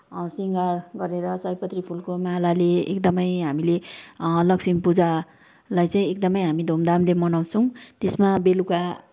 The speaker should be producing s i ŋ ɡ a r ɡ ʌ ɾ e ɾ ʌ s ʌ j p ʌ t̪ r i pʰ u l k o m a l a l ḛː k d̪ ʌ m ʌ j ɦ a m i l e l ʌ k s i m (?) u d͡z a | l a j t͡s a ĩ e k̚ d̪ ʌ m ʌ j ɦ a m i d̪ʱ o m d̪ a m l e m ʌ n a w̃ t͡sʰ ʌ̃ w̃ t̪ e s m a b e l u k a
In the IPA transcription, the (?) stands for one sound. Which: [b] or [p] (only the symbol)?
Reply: p